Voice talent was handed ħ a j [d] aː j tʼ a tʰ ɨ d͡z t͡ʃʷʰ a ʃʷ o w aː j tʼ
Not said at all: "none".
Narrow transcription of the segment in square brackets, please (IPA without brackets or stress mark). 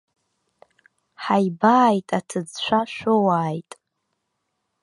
b